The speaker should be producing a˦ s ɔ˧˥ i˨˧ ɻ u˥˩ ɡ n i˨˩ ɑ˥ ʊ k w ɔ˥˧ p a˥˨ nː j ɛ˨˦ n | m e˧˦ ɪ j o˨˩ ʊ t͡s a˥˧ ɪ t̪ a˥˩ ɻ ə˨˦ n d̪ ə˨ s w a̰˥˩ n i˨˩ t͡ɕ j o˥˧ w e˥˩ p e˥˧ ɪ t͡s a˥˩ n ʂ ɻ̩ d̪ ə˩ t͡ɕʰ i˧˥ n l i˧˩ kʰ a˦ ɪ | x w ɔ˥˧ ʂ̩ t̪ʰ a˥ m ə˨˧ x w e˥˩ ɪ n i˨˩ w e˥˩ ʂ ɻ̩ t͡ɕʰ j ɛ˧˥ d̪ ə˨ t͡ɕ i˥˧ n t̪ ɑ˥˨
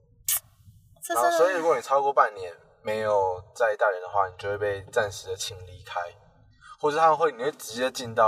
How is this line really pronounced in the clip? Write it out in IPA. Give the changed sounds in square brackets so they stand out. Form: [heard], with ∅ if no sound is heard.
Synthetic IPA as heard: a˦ s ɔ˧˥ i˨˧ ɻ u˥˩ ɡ n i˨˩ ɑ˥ ʊ k w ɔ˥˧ p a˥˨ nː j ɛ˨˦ n | m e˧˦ ɪ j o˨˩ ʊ t͡s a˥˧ ɪ t̪ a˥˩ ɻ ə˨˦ n d̪ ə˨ [x] w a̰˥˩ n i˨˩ t͡ɕ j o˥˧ w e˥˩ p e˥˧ ɪ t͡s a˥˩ n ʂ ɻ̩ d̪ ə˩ t͡ɕʰ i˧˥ [ŋ] l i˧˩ kʰ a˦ ɪ | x w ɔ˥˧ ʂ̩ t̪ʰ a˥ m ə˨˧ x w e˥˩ ɪ n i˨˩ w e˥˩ [ʈ͡ʂ] ɻ̩ [t͡ɕ] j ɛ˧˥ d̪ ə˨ t͡ɕ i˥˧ n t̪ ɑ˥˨